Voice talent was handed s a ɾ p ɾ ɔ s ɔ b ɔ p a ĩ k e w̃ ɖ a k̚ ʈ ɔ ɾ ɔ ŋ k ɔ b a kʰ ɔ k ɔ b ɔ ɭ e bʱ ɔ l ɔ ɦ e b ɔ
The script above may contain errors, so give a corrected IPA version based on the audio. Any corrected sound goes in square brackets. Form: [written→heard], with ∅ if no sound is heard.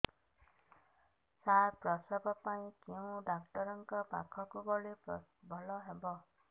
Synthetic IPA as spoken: s a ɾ p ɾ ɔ s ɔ b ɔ p a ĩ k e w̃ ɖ a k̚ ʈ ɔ ɾ ɔ ŋ k ɔ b a kʰ ɔ k [ɔ→u] b ɔ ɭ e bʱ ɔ l ɔ ɦ e b ɔ